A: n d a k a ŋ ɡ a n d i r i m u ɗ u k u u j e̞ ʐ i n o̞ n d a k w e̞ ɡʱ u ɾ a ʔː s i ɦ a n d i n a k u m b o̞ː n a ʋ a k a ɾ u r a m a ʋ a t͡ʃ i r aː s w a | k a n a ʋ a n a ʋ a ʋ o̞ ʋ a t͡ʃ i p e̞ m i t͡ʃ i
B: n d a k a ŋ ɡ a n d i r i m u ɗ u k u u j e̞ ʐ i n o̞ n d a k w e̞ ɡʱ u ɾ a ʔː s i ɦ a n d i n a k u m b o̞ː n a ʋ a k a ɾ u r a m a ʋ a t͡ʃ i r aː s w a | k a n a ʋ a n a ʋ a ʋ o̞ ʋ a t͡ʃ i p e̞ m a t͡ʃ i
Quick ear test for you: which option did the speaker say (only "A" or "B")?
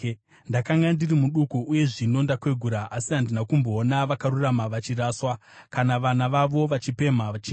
B